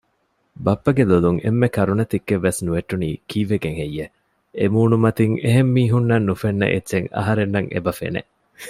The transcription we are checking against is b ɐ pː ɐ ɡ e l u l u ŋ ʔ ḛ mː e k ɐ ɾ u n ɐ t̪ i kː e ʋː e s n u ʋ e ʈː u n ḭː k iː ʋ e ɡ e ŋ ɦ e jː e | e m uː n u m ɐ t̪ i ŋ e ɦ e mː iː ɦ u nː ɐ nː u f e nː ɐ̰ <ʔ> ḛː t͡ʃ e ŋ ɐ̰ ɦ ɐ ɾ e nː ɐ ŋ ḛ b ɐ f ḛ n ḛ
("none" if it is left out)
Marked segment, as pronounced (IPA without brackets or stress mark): ʔ